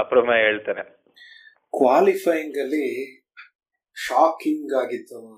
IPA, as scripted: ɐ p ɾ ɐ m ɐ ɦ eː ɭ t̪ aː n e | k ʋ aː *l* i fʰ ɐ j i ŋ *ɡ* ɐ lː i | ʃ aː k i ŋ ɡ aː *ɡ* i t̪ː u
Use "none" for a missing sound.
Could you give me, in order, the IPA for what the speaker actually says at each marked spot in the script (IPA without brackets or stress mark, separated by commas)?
l, ɡ, ɡ